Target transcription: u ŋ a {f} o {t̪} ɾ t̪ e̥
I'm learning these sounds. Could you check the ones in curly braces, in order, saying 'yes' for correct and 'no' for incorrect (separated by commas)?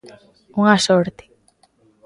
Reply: no, no